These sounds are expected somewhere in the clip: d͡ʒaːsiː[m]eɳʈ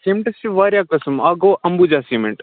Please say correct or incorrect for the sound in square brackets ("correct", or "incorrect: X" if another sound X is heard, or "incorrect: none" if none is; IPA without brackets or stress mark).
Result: correct